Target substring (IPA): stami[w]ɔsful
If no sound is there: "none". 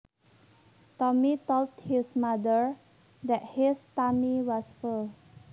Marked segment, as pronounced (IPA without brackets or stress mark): w